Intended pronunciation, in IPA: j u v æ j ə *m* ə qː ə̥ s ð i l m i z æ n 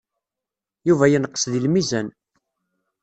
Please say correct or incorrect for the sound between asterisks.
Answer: incorrect: n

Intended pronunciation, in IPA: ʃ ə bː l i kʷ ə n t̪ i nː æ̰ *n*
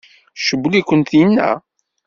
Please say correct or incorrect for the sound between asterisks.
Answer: incorrect: none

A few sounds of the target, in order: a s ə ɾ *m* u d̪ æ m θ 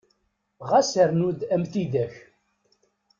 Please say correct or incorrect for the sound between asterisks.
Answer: incorrect: n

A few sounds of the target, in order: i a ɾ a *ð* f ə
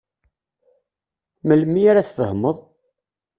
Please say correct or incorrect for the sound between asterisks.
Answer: incorrect: θ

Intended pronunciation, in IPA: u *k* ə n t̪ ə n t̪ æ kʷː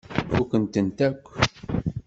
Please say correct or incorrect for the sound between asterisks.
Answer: correct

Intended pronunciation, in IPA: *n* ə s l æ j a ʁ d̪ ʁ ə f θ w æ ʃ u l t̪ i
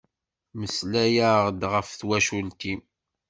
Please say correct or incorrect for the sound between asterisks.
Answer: incorrect: m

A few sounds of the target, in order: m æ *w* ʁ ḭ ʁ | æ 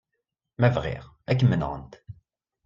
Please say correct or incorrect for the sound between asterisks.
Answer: incorrect: v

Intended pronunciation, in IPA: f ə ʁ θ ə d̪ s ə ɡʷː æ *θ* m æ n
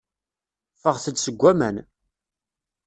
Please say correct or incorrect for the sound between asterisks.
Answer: incorrect: none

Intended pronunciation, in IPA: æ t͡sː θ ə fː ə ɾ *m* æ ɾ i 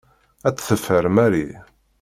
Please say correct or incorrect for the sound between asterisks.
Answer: correct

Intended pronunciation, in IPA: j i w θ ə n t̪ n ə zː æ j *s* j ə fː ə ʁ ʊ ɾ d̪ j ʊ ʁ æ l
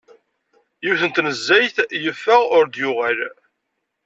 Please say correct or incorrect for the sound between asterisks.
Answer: incorrect: θ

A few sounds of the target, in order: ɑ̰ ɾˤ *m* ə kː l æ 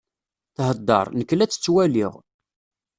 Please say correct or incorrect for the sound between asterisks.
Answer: incorrect: n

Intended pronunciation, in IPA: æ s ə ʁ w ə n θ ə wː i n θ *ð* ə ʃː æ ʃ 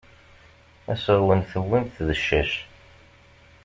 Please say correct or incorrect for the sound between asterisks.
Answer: correct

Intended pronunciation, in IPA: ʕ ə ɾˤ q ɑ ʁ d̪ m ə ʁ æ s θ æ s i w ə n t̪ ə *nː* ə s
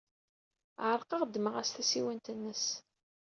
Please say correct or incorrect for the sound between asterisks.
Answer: correct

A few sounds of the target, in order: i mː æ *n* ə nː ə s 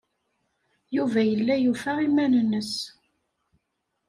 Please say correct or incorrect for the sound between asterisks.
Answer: correct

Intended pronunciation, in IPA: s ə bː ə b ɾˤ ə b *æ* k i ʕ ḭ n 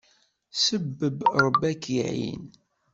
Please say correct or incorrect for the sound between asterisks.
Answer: correct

